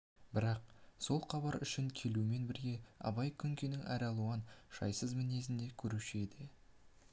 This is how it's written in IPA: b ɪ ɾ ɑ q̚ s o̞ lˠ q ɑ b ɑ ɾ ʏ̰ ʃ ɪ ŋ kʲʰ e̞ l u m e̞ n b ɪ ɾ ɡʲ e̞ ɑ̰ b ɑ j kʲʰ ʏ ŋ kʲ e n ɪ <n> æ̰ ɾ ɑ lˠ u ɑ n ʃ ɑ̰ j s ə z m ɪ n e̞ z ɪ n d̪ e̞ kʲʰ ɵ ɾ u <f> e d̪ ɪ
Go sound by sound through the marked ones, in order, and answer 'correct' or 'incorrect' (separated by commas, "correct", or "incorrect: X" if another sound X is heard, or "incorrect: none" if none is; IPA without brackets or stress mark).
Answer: incorrect: ŋ, incorrect: ʃ